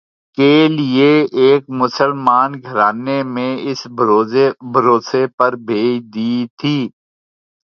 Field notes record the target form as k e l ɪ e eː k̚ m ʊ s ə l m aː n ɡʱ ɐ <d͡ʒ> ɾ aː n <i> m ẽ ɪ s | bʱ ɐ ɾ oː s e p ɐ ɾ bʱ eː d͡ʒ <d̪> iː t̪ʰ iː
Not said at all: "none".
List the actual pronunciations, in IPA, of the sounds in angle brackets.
none, e, d̪

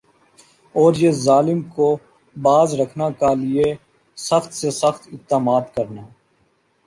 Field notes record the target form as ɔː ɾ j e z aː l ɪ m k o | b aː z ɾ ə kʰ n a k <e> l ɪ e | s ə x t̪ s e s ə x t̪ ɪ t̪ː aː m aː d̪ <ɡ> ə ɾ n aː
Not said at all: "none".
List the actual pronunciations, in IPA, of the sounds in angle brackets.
a, k

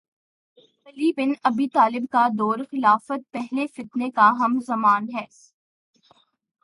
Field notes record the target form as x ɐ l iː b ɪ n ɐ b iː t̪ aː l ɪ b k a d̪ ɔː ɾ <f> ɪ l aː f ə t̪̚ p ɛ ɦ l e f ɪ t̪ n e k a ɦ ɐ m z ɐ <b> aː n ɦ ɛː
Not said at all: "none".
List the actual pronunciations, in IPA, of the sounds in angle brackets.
x, m

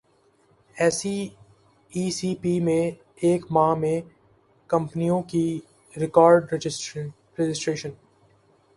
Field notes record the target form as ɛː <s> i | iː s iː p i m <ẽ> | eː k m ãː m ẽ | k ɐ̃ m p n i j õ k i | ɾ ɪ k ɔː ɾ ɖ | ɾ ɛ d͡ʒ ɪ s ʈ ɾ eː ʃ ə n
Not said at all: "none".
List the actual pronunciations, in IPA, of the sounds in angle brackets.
s, ẽ

